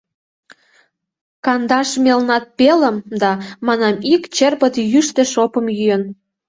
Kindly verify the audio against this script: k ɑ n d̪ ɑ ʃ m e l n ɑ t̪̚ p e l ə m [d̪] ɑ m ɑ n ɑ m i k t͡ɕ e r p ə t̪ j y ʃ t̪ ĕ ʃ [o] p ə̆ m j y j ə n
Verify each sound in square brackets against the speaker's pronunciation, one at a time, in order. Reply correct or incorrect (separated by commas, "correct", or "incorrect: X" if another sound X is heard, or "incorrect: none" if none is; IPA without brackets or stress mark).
correct, correct